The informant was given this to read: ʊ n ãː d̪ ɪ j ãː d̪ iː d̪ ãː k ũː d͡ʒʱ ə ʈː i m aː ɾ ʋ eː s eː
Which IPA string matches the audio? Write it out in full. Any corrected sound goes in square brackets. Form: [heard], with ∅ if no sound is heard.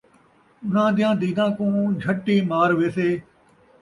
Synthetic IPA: ʊ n ãː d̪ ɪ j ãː d̪ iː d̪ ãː k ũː d͡ʒʱ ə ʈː [iː] m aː ɾ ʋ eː s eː